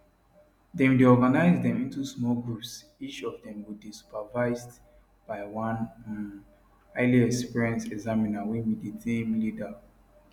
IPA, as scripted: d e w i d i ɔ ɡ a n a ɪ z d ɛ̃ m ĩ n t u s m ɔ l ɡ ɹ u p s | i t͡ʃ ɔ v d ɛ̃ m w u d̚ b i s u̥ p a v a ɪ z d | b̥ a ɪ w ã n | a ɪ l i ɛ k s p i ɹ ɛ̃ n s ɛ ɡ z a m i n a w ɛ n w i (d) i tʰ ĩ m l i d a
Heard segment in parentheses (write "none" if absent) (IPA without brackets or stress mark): d